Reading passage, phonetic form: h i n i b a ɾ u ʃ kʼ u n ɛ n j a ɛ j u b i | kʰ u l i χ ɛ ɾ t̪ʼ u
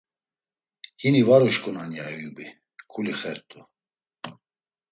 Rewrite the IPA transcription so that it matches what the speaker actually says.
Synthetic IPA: h i n i v a ɾ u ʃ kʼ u n a n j a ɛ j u b i | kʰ u l i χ ɛ ɾ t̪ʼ u